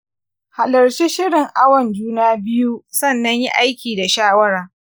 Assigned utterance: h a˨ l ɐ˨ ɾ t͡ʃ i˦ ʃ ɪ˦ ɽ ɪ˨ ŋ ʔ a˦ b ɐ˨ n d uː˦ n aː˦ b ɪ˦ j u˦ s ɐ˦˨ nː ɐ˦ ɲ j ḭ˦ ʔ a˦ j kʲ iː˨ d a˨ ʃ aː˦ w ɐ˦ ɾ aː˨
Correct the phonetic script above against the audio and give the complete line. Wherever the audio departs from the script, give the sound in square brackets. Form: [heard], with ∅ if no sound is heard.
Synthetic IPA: h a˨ l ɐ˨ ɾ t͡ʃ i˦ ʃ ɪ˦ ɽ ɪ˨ ŋ ʔ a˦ [w] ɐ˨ n [d͡ʒ] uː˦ n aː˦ b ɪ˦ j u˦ s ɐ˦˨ nː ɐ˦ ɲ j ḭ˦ ʔ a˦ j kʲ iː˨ d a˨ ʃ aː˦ w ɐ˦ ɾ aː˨